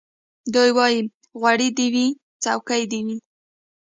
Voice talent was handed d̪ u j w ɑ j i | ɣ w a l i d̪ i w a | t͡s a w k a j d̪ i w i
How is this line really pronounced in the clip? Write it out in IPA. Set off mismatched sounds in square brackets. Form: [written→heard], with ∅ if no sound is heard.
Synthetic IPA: d̪ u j w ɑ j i | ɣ w a [l→ɽ] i d̪ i w [a→i] | t͡s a w k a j d̪ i w i